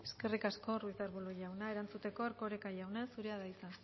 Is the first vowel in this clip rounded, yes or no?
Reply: no